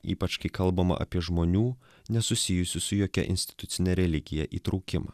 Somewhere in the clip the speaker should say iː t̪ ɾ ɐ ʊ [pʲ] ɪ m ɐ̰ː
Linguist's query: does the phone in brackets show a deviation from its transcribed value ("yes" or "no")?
yes